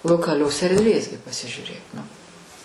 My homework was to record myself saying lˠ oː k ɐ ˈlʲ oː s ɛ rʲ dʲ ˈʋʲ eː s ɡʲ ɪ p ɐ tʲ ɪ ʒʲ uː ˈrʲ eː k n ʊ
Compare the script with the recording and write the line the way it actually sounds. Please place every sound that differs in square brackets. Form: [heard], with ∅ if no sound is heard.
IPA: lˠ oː k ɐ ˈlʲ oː s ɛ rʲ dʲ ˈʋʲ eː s ɡʲ ɪ p ɐ [sʲ] ɪ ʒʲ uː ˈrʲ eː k n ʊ